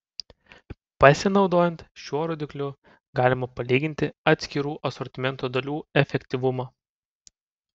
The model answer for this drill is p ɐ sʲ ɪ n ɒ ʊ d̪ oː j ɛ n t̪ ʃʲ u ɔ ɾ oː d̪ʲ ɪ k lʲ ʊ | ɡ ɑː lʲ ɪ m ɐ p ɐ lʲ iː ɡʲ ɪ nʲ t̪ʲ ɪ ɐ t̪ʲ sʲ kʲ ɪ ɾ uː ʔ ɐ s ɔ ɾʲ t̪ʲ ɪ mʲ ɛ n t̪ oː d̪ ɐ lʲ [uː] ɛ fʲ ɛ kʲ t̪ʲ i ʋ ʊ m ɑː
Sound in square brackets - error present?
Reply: no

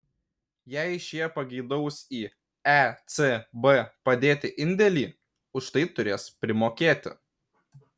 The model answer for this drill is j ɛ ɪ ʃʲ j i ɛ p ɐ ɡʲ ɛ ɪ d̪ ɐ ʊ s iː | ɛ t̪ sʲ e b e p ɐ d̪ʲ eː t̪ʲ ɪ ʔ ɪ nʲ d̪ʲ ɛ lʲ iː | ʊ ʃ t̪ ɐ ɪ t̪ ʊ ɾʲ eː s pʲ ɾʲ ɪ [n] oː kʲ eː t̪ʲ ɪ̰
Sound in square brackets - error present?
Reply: yes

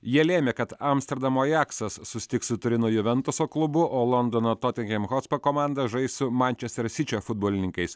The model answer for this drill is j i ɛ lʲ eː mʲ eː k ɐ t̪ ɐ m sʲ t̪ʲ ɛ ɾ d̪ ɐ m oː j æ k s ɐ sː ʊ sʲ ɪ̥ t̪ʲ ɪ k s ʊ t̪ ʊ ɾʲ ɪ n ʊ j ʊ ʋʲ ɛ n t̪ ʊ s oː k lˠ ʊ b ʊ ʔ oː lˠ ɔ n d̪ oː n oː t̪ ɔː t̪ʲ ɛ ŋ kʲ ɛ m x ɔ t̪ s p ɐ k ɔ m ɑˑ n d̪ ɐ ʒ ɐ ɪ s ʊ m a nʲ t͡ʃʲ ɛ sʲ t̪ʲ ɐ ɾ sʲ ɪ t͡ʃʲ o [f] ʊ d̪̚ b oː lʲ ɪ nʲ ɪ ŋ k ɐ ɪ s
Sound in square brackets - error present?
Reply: no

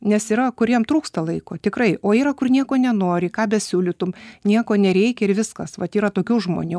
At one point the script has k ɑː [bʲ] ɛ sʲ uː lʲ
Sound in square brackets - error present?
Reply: no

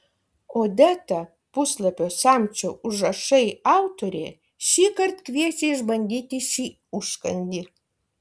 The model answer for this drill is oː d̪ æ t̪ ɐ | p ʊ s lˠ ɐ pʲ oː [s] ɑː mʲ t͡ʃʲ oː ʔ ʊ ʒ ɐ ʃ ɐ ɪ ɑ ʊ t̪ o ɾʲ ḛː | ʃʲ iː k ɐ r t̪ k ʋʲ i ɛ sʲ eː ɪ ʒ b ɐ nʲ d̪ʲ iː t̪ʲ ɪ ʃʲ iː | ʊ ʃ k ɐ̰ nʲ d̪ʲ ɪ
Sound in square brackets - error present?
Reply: no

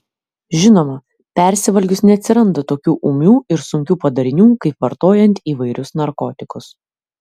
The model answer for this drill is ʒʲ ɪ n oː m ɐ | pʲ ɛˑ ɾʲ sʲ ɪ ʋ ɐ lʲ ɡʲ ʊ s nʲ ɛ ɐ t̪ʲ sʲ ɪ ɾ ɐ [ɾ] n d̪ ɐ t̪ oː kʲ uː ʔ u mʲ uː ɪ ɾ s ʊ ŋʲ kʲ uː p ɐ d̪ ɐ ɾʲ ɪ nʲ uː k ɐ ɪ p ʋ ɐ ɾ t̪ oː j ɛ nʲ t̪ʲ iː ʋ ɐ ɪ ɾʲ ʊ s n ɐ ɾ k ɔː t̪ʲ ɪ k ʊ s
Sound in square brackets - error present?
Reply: yes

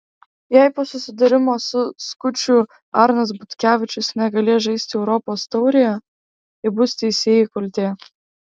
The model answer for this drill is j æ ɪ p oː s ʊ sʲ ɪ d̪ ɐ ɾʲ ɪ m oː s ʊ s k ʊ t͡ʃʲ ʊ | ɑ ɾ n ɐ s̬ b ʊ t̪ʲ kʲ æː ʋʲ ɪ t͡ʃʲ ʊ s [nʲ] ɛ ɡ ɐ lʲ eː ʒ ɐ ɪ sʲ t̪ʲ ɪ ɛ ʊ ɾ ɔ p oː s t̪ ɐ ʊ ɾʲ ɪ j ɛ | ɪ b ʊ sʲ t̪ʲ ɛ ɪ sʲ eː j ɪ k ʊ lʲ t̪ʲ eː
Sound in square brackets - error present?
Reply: no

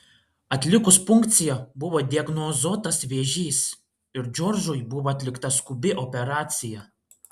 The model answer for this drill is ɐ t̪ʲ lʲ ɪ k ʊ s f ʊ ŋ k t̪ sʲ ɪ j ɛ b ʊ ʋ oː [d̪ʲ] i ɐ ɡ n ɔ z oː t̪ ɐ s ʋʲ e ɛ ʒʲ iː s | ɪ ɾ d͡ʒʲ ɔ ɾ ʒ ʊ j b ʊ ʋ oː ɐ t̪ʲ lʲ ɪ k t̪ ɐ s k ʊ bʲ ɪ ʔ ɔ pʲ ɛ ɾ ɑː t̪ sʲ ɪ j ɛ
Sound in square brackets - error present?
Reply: no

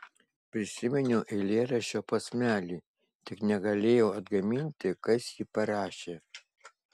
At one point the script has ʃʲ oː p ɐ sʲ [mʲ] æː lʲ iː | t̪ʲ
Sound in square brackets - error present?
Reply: no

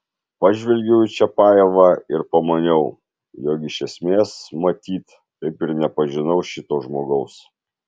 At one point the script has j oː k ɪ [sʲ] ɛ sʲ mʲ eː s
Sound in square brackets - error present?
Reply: yes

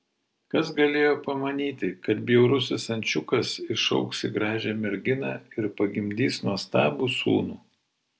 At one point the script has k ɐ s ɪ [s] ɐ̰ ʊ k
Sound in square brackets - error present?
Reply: yes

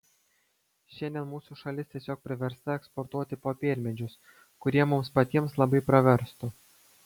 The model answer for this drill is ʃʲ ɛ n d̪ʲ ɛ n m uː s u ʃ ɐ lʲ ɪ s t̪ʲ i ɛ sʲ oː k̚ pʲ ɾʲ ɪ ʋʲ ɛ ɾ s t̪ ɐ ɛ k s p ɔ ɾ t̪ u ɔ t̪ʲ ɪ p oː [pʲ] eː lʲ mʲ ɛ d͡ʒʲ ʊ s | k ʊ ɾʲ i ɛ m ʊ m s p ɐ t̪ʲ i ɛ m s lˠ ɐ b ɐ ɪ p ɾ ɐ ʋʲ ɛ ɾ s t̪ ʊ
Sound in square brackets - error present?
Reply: no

